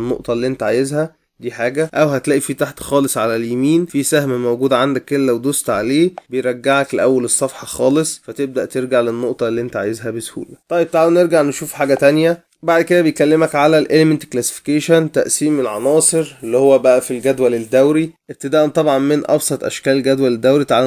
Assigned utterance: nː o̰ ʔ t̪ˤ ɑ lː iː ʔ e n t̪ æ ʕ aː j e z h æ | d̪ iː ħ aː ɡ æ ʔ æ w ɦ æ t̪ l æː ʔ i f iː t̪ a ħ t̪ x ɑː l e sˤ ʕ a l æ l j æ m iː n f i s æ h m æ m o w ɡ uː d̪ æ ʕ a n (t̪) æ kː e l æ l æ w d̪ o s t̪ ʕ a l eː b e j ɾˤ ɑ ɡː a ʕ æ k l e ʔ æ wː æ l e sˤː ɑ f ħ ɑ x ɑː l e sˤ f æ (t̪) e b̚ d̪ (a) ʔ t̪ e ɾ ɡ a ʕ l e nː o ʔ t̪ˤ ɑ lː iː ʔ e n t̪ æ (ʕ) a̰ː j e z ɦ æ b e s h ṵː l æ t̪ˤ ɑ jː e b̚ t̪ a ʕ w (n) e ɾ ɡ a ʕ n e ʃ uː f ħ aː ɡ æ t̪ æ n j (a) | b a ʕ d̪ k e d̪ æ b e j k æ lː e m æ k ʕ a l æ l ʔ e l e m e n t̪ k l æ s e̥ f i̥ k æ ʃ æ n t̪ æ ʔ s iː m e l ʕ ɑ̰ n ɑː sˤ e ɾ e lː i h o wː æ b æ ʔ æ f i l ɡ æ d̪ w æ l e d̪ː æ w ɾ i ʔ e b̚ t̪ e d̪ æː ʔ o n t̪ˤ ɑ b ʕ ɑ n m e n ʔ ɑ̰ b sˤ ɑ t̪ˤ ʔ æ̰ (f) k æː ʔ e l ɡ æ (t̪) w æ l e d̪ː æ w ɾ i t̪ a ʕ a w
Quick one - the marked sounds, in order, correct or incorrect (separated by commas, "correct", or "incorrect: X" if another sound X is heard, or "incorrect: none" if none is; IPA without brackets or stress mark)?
incorrect: d̪, correct, incorrect: æ, correct, correct, incorrect: æ, incorrect: ʃ, incorrect: d̪